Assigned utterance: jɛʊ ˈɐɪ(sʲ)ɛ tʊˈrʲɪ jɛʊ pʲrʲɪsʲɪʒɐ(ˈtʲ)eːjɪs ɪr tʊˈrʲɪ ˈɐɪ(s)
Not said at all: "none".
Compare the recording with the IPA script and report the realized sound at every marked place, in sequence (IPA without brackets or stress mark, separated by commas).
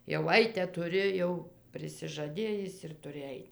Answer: tʲ, dʲ, t